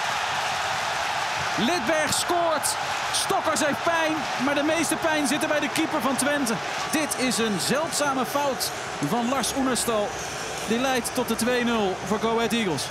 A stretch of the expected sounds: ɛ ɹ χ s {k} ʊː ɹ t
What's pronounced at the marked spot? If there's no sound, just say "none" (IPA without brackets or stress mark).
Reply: k